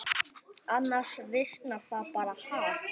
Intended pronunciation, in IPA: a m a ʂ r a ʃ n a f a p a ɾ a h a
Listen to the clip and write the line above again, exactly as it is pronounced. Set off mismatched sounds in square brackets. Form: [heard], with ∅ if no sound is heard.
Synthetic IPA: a [n] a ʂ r [e] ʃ n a f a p a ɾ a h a